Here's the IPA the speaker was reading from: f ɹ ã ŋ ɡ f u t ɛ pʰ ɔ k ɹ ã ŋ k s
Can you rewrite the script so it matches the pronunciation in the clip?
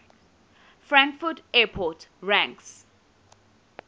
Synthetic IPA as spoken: f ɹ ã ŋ k f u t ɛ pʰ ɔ t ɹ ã ŋ k s